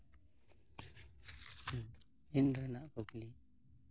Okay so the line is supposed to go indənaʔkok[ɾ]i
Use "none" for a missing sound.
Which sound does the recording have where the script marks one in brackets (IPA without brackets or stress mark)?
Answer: l